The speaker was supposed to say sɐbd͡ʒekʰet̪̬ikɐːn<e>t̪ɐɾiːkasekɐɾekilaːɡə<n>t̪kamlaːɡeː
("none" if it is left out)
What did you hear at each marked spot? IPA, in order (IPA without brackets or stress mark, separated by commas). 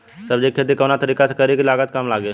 a, none